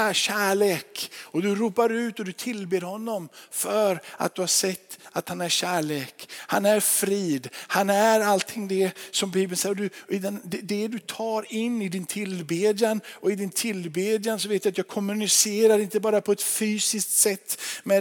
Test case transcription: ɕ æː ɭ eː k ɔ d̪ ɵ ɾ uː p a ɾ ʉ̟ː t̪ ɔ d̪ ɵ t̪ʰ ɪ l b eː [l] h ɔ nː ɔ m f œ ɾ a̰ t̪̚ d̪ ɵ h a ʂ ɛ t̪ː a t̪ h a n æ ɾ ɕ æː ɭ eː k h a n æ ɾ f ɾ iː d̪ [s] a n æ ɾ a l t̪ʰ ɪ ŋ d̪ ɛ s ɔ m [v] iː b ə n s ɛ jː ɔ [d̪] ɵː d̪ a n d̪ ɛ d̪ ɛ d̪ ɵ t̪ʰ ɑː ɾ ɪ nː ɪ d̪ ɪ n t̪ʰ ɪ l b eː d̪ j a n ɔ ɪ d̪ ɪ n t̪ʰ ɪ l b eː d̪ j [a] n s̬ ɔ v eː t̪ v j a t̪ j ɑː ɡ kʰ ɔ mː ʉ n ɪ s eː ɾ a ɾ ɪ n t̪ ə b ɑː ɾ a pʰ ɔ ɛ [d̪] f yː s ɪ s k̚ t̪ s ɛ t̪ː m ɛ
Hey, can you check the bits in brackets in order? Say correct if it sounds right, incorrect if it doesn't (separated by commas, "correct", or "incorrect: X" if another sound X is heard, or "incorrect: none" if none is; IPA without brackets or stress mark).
incorrect: ɾ, incorrect: h, incorrect: b, correct, correct, incorrect: t̪